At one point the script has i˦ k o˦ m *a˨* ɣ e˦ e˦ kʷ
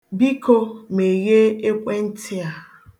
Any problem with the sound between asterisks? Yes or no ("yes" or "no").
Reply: yes